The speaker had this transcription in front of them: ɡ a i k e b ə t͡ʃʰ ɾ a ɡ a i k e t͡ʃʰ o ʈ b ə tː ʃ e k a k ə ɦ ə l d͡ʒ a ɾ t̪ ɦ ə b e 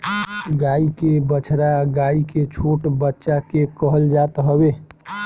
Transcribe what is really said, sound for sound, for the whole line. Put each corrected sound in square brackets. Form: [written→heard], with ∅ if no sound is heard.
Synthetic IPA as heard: ɡ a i k e b ə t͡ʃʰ ɾ a ɡ a i k e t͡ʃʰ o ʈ b ə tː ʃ [e→a] k [a→e] k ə ɦ ə l d͡ʒ a [ɾ→∅] t̪ ɦ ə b e